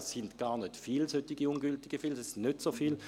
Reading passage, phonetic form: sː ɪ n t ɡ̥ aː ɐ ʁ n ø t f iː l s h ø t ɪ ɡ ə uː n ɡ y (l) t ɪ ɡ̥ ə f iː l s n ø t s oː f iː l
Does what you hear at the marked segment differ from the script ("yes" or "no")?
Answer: no